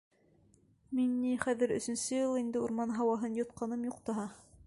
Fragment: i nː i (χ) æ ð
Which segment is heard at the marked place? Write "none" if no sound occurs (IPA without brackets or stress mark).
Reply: χ